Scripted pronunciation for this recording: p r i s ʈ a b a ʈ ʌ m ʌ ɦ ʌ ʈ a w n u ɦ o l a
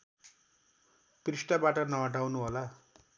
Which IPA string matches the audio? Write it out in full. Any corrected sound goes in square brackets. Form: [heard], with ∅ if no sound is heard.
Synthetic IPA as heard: p r i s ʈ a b a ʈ ʌ [n] ʌ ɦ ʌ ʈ a w n u ɦ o l a